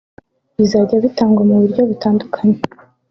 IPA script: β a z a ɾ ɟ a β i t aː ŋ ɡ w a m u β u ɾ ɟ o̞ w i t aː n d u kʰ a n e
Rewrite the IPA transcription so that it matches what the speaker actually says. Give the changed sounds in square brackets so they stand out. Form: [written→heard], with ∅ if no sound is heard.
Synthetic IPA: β [a→i] z a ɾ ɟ a β i t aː ŋ ɡ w a m u β u ɾ ɟ o̞ [w→β] i t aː n d u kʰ a [n→ɲ] e